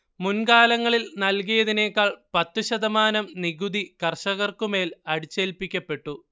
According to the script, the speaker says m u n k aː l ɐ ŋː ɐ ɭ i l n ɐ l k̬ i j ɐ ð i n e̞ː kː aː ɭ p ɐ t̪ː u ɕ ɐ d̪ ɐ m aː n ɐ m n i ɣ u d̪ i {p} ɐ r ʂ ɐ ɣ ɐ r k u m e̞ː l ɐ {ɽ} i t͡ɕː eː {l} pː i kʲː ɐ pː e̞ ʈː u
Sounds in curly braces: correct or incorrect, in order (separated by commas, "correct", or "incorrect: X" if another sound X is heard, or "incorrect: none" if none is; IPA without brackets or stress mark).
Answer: incorrect: k, correct, correct